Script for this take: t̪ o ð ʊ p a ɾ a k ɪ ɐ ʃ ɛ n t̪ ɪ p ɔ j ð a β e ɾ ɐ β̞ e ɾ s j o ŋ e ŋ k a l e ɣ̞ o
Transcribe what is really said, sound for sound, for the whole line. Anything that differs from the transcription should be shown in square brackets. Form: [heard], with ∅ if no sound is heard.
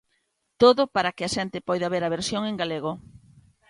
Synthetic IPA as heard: t̪ o ð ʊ p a ɾ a k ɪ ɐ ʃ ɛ n t̪ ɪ p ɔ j ð a β e ɾ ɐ β̞ e ɾ s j o ŋ e ŋ [ɡ] a l e ɣ̞ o